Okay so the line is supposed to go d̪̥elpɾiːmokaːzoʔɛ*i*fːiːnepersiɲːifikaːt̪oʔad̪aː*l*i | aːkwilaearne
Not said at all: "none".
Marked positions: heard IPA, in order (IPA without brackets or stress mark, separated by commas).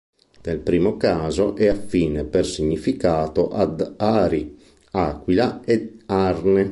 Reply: a, ɾ